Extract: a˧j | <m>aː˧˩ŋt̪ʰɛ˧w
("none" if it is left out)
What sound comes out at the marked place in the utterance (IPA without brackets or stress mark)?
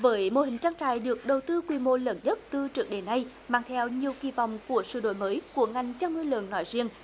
m